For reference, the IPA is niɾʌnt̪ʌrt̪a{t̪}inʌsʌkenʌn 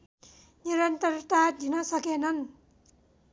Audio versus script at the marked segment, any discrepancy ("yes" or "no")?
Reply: yes